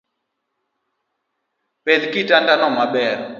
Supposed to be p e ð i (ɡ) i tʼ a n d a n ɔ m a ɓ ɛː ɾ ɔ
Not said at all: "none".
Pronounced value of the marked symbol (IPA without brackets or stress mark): k